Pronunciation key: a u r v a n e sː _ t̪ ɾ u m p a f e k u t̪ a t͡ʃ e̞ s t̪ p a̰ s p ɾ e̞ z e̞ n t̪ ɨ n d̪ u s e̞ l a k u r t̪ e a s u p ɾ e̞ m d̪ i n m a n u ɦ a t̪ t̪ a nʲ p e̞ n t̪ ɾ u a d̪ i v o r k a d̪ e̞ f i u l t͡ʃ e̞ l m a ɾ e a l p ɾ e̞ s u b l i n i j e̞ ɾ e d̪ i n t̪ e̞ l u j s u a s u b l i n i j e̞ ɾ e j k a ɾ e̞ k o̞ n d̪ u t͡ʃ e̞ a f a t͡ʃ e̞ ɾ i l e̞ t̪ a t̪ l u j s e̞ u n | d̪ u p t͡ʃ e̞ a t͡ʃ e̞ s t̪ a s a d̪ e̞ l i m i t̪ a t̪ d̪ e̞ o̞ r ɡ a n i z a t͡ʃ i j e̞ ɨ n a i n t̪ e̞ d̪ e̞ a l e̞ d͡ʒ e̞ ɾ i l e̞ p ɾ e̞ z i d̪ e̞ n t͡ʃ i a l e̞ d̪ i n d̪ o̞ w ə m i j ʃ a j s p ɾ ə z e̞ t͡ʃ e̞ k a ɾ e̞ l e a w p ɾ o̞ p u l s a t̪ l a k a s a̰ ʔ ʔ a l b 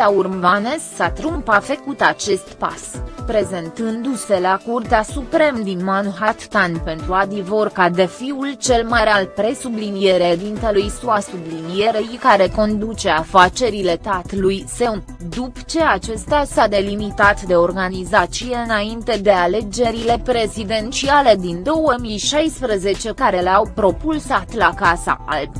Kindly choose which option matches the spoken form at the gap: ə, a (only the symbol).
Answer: a